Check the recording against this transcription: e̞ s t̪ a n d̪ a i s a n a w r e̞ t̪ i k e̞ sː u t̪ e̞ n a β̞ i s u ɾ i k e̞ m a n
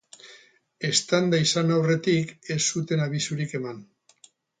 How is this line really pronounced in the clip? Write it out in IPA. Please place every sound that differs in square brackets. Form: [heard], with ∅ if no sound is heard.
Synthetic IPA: e̞ s t̪ a n d̪ a i s a n a w r e̞ t̪ i k e̞ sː u t̪ e̞ n a β̞ i s u ɾ i k e̞ m a n